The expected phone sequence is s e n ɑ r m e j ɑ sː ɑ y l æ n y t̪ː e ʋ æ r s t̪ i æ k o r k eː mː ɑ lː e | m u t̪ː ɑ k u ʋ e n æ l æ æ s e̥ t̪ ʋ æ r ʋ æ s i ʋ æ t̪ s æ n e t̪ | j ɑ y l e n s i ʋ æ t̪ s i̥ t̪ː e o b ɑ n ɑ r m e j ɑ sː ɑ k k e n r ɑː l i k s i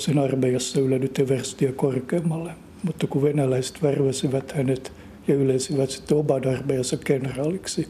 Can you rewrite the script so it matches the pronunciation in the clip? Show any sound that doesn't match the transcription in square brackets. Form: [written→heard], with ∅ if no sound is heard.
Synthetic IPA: s e n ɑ r m e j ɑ sː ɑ y l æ n y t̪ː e ʋ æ r s t̪ i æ k o r k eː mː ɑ lː e | m u t̪ː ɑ k u ʋ e n æ l æ [æ→i] s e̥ t̪ ʋ æ r ʋ æ s i ʋ æ t̪ [s→h] æ n e t̪ | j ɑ y l e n s i ʋ æ t̪ s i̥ t̪ː e o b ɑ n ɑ r m e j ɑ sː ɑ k k e n r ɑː l i k s i